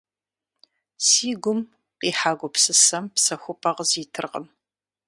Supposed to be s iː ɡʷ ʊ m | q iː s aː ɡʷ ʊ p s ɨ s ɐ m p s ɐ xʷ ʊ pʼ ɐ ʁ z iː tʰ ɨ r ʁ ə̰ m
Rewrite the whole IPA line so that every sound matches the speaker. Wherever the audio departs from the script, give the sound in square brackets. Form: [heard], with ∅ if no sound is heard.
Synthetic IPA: s iː ɡʷ ʊ m | q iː [ħ] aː ɡʷ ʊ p s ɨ s ɐ m p s ɐ xʷ ʊ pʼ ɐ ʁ z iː tʰ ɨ r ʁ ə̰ m